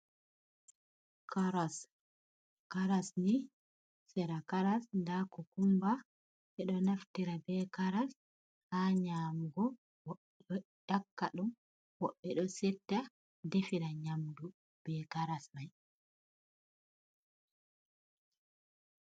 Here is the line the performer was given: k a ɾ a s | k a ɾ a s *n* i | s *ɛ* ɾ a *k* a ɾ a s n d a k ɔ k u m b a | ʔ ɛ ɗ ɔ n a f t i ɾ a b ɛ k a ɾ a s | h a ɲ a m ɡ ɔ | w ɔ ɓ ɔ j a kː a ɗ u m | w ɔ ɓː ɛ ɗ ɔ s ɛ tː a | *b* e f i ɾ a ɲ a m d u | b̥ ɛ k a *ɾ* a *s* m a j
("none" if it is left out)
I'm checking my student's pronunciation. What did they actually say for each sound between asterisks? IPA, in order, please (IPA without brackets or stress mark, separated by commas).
n, ɛ, k, d, ɾ, s